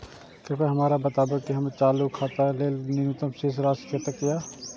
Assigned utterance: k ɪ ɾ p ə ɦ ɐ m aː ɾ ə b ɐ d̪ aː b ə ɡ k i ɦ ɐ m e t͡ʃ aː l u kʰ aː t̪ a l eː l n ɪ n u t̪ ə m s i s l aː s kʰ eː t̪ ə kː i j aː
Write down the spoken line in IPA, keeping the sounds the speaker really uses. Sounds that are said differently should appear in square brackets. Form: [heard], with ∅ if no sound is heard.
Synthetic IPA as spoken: k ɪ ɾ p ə ɦ ɐ m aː ɾ [a] b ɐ [t̪] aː b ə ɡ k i ɦ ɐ m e t͡ʃ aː l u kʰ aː t̪ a l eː l n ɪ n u t̪ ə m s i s [ɾ] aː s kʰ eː t̪ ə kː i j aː